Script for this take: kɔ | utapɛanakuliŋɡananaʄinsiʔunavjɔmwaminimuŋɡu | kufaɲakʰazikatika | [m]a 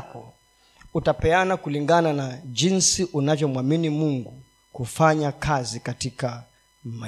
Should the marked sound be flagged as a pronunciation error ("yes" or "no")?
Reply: no